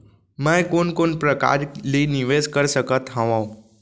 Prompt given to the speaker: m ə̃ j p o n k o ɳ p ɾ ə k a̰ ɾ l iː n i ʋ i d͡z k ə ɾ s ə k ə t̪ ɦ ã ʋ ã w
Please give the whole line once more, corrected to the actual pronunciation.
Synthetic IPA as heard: m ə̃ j k o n k o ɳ p ɾ ə k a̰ ɾ l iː n i ʋ e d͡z k ə ɾ s ə k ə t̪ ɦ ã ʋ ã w